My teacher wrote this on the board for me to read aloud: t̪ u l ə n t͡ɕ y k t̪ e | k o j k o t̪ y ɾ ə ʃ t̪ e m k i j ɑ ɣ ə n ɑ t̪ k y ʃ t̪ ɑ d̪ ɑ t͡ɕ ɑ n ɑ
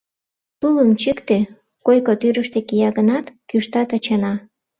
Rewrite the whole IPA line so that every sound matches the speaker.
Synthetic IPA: t̪ u l ə m t͡ɕ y k t̪ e | k o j k o t̪ y ɾ ə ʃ t̪ e k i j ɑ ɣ ə n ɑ t̪ k y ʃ t̪ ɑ t̪ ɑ t͡ɕ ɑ n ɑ